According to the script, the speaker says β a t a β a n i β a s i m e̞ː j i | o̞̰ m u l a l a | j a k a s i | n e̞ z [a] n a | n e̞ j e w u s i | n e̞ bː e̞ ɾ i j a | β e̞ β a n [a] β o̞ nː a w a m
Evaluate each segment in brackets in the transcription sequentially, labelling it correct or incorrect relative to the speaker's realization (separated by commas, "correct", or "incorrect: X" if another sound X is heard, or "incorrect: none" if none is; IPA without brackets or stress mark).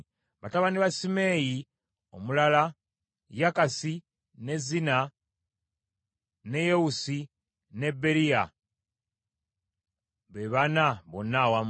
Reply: incorrect: i, correct